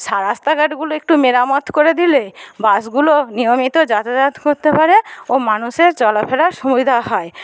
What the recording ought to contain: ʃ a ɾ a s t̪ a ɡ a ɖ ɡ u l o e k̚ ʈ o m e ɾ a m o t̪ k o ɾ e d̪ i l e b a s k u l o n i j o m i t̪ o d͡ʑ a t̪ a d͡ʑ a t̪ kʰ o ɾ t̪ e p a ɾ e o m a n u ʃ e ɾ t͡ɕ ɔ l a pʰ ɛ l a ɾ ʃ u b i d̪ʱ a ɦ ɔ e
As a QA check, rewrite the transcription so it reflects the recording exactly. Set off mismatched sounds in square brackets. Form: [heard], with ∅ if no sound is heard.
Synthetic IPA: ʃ a ɾ a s t̪ a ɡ a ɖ ɡ u l o e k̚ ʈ [u] m e ɾ a m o t̪ k o ɾ e d̪ i l e b a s [ɡ] u l o n i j o m i t̪ o d͡ʑ a t̪ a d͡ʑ a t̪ [k] o ɾ t̪ e p a ɾ e o m a n u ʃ e ɾ t͡ɕ ɔ l a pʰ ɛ l a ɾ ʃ u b i d̪ʱ a ɦ ɔ e